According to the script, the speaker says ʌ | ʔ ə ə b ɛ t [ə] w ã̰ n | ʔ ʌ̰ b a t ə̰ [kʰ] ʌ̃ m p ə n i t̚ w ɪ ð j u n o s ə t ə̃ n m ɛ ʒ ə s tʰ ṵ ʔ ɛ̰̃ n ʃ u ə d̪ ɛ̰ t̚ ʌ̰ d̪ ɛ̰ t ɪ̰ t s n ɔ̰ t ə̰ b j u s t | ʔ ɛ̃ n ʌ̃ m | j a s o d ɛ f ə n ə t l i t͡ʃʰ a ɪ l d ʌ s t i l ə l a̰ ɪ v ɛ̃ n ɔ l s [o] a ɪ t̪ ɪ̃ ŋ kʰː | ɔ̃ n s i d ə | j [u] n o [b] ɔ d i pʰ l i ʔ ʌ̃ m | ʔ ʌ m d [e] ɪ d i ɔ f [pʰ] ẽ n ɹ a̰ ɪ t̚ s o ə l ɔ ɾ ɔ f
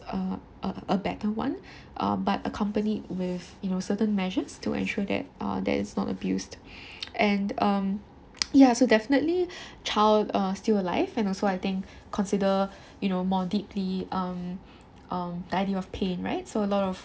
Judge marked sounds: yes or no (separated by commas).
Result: yes, yes, yes, yes, no, no, yes